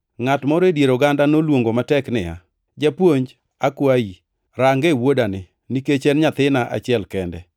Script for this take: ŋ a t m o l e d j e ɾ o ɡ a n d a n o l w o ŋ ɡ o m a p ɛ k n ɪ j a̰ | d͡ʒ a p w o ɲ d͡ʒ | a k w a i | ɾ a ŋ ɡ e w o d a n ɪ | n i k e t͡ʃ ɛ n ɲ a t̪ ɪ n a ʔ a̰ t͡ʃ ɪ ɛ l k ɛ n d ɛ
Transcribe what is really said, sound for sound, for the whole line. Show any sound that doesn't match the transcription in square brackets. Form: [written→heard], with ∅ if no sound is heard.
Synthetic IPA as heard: ŋ a t m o [l→ɾ] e d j e ɾ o ɡ a n d a n o l w o ŋ ɡ o m a [p→t] ɛ k n ɪ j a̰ | d͡ʒ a p w o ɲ d͡ʒ | a k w a i | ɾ a ŋ ɡ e w o d a n ɪ | n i k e t͡ʃ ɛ n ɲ a t̪ ɪ n a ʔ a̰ t͡ʃ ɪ ɛ l k ɛ n d ɛ